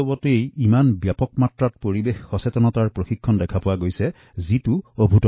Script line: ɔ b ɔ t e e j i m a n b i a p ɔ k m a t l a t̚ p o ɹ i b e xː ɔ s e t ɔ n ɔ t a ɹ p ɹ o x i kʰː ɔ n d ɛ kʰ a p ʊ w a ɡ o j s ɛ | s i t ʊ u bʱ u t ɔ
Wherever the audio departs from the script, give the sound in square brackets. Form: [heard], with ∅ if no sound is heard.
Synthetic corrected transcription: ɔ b ɔ t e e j i m a n b [j] a p ɔ k m a t [ɹ] a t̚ p o ɹ i b e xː ɔ s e t ɔ n ɔ t a ɹ p ɹ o x i kʰː ɔ n d ɛ kʰ a p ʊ w a ɡ o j s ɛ | [z] i t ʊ [o] bʱ u t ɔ